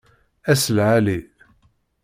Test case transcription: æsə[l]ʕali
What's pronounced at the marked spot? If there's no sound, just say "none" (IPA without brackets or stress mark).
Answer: l